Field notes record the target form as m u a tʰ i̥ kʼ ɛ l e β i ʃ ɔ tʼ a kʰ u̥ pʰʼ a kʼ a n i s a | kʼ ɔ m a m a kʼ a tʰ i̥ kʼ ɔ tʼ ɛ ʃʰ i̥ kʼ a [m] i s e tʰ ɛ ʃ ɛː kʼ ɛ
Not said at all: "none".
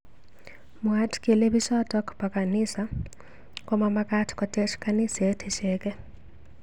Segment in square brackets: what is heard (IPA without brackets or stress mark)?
n